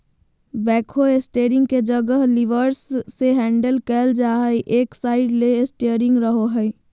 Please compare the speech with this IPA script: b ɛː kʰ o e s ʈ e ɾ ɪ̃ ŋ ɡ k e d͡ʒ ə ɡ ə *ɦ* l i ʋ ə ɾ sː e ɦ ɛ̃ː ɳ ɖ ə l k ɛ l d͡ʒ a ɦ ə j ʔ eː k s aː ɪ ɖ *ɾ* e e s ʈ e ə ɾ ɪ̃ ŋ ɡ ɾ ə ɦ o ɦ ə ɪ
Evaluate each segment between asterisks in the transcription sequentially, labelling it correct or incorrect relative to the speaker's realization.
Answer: correct, incorrect: l

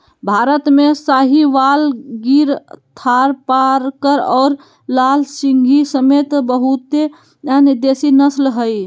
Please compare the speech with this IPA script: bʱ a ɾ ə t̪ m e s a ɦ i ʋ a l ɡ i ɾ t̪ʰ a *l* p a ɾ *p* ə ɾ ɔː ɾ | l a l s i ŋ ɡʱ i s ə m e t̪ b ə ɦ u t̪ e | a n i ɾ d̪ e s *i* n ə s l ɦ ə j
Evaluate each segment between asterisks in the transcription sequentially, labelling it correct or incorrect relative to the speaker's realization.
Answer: incorrect: ɾ, incorrect: k, correct

